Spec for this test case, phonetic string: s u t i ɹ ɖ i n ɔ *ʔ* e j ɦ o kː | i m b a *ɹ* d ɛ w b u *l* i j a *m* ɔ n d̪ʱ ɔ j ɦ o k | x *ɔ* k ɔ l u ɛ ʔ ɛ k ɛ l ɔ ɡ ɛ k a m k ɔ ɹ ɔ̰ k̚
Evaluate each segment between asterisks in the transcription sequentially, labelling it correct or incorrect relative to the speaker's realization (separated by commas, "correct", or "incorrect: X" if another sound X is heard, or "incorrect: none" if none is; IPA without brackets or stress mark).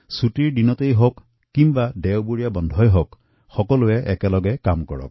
incorrect: t, incorrect: none, incorrect: ɹ, incorrect: b, correct